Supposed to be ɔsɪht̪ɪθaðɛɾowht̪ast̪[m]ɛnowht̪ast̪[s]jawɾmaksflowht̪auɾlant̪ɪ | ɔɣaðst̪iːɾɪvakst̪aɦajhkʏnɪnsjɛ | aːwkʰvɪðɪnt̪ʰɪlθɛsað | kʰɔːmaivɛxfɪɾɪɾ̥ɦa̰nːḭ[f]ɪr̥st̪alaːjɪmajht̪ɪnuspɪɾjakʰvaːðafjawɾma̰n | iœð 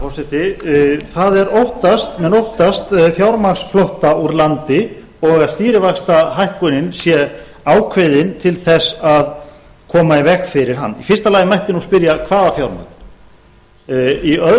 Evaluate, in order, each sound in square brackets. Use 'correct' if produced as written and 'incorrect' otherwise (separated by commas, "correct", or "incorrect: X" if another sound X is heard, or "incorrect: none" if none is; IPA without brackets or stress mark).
correct, incorrect: f, correct